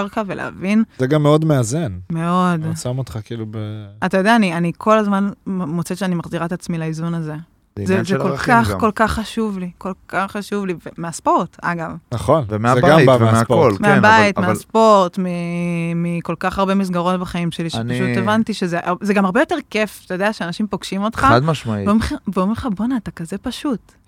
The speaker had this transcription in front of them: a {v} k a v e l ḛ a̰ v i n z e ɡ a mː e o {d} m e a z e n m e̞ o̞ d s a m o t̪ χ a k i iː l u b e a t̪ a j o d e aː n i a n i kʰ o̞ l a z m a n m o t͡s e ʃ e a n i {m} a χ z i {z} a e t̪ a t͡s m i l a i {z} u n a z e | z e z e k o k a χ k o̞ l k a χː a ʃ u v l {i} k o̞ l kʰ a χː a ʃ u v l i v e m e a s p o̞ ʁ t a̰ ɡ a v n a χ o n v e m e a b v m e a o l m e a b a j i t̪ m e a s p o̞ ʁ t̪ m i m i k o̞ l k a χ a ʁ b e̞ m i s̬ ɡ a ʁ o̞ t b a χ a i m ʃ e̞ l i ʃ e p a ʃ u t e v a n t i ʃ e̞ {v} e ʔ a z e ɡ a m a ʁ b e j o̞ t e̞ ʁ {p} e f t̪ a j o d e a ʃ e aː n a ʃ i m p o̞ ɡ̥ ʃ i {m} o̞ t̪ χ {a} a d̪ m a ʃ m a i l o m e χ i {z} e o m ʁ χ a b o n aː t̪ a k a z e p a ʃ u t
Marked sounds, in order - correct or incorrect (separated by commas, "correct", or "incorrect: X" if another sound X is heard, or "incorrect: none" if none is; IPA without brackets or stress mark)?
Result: incorrect: ʁ, correct, correct, incorrect: ʁ, correct, correct, incorrect: z, incorrect: k, correct, correct, incorrect: v